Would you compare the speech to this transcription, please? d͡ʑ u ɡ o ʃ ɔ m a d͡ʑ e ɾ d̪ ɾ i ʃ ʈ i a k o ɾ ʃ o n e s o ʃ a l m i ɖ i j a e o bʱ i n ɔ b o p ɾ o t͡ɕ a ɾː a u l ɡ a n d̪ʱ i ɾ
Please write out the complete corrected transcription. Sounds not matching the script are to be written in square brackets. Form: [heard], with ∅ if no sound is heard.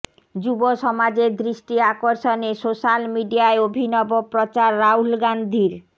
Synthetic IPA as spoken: d͡ʑ u [b] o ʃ ɔ m a d͡ʑ e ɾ d̪ ɾ i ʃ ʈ i a k o ɾ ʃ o n e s o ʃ a l m i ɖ i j a e o bʱ i n ɔ b o p ɾ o t͡ɕ a ɾː a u l ɡ a n d̪ʱ i ɾ